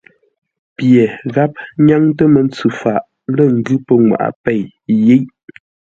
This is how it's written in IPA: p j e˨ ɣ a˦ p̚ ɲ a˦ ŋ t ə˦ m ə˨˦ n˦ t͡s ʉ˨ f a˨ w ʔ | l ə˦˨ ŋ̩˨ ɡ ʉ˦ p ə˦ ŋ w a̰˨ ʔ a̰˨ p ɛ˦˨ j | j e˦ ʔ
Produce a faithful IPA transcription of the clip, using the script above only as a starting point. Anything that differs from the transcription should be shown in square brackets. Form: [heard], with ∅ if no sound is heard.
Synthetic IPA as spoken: p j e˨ ɣ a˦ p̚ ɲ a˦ ŋ t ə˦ m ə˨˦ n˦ t͡s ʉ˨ f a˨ [∅] ʔ | l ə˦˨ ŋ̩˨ ɡ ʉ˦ p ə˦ ŋ w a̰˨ ʔ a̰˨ p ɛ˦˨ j | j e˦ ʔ